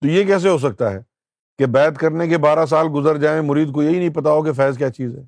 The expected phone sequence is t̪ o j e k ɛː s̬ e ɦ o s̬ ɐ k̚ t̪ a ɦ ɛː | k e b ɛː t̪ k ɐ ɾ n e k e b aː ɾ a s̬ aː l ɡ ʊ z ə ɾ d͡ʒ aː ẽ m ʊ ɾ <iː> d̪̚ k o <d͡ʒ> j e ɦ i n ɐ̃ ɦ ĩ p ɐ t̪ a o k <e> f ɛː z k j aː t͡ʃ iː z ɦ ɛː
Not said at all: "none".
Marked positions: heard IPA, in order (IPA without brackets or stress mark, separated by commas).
iː, none, e